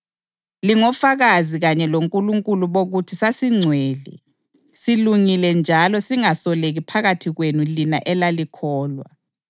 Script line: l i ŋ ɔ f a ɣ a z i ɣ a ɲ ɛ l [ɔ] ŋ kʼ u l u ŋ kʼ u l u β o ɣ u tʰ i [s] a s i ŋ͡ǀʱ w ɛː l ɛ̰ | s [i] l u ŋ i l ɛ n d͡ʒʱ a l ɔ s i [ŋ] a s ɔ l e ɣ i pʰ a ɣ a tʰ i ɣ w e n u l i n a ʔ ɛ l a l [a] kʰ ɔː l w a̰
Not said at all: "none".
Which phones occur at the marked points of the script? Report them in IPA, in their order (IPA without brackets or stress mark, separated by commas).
o, s, i, ŋ, i